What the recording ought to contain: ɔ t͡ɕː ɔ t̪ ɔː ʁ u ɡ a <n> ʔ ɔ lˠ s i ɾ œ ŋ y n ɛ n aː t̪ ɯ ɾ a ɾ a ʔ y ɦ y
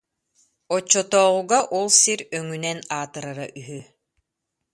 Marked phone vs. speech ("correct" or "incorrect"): incorrect